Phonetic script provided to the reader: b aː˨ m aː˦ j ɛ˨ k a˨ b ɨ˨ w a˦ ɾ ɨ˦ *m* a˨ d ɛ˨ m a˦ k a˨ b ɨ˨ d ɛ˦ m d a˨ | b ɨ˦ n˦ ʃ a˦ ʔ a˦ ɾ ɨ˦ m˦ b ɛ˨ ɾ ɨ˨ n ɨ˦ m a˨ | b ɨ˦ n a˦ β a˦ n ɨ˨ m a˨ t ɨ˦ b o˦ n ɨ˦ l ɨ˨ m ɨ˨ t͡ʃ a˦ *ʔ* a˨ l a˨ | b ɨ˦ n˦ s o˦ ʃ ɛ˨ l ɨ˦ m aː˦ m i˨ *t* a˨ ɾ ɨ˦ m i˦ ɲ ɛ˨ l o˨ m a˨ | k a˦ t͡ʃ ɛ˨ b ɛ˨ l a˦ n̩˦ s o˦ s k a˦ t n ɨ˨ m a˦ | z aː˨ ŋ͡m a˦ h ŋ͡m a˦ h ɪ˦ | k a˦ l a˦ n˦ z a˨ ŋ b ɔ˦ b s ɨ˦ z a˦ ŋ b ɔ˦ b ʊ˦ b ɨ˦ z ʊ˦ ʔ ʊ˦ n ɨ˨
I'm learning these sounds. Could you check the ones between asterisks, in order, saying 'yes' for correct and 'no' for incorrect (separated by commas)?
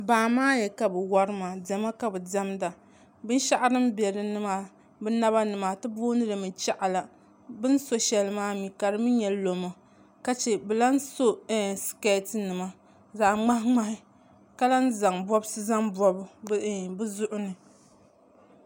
yes, yes, no